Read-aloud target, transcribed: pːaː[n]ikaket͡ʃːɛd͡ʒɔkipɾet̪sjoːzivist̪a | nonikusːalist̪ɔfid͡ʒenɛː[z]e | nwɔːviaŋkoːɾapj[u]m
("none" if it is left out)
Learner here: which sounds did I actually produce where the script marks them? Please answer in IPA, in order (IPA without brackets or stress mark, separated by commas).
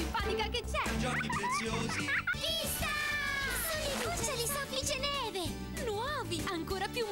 n, v, u